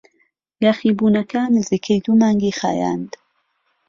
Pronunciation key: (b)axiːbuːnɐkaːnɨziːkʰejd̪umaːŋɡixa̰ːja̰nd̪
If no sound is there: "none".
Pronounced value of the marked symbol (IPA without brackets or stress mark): ɡ